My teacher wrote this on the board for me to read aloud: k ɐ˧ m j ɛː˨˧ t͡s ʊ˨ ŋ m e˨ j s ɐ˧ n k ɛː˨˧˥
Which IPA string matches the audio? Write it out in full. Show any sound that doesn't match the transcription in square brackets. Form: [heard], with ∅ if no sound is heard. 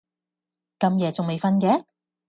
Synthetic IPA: k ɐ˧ m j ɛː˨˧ t͡s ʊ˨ ŋ m e˨ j [f] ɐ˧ n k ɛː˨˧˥